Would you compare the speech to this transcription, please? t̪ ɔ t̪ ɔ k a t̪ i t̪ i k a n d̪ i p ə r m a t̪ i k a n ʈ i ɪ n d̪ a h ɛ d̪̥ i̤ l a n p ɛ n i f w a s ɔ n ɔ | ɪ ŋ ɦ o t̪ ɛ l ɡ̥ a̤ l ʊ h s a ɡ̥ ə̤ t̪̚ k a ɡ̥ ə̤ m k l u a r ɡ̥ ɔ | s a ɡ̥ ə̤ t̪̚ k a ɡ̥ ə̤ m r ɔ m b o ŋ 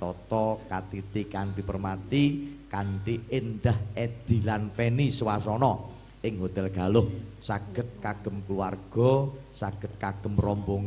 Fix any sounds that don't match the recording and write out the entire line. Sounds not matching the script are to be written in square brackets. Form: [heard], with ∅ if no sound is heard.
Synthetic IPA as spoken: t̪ ɔ t̪ ɔ k a t̪ i t̪ i k a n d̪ i p ə r m a t̪ i k a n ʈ i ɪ n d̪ a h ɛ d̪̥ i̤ l a n p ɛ n i [s] w a s ɔ n ɔ | ɪ ŋ ɦ o t̪ ɛ l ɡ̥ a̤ l ʊ h s a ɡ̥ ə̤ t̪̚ k a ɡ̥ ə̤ m k l u a r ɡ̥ ɔ | s a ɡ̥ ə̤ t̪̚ k a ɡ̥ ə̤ m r ɔ m b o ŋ